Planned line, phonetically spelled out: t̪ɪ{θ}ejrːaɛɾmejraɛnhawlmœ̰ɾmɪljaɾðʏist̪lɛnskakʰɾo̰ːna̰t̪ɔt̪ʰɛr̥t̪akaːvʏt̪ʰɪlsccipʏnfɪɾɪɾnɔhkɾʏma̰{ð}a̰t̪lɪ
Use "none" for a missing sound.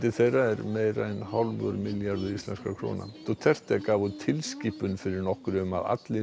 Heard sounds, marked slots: θ, ð

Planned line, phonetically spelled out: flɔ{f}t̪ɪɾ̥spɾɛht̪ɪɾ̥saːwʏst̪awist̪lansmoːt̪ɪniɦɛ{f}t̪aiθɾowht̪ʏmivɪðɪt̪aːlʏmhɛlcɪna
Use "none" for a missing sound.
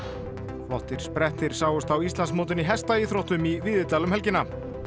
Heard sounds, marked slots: h, s

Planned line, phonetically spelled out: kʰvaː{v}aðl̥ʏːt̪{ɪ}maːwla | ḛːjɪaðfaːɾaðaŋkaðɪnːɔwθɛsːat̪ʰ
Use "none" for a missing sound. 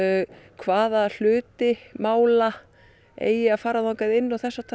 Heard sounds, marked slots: ð, ɪ

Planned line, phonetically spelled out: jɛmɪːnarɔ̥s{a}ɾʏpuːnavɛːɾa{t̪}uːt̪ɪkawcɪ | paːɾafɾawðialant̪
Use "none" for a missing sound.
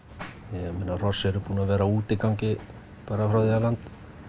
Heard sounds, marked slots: ɛ, none

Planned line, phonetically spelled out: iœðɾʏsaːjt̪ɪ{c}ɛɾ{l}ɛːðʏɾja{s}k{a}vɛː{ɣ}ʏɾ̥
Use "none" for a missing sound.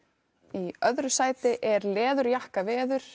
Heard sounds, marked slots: ʔ, l, h, a, ð

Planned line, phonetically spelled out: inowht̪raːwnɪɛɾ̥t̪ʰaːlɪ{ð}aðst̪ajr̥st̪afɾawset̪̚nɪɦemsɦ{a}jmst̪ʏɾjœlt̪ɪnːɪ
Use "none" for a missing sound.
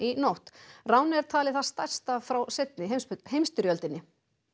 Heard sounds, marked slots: θ, e

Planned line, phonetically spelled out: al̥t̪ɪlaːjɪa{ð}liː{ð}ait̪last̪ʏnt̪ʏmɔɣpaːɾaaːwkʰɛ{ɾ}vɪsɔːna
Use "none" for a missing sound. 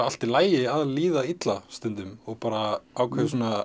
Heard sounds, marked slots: ð, ð, none

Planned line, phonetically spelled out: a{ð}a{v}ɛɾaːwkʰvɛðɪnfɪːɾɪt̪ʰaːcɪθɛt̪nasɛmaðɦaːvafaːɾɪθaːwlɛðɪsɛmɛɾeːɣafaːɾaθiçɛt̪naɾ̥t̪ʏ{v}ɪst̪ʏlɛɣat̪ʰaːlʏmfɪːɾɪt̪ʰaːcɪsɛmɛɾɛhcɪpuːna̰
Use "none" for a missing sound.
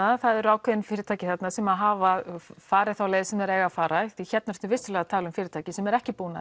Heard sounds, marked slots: θ, ð, v

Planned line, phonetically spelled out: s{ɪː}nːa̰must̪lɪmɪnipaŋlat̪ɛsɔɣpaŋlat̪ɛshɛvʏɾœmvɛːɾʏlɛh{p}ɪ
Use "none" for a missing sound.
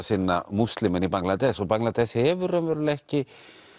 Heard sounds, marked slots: ɪ, c

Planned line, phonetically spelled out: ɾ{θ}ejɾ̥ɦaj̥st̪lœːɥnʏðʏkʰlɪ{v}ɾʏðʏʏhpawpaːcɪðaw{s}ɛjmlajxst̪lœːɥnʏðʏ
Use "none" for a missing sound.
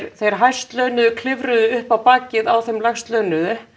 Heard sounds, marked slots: θ, v, θ

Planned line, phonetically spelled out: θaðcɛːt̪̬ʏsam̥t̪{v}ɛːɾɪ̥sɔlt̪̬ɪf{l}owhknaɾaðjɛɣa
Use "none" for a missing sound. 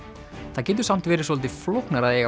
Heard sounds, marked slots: v, l

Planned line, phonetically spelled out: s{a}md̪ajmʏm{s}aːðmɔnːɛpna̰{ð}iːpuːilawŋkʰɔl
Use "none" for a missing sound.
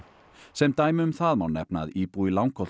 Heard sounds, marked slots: ɛ, θ, ð

